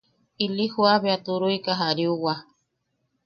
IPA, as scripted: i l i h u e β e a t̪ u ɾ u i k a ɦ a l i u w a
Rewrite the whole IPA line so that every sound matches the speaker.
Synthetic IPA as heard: i l i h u a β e a t̪ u ɾ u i k a ɦ a ɾ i u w a